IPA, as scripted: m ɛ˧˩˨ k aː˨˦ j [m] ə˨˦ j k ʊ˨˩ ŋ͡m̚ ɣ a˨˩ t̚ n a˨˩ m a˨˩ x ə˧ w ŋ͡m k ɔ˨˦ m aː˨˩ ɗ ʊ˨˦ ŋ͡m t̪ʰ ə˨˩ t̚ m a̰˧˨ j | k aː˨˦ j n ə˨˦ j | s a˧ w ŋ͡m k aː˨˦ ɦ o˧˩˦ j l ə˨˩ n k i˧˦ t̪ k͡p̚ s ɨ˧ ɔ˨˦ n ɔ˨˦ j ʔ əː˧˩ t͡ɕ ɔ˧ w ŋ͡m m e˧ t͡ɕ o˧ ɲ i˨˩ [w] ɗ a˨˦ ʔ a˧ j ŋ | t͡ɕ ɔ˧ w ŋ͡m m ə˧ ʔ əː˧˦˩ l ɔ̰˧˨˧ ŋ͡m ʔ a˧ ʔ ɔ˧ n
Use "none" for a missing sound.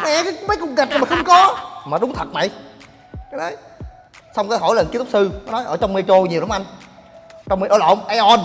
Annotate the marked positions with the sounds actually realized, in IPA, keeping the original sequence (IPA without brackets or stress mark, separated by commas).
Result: m, w